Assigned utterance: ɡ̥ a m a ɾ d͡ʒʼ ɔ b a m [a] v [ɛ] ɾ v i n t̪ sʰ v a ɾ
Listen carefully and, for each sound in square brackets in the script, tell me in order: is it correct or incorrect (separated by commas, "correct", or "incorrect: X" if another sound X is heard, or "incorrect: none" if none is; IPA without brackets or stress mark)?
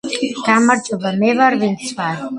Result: incorrect: ɛ, incorrect: a